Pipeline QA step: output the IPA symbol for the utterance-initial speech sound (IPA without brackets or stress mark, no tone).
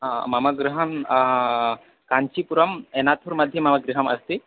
m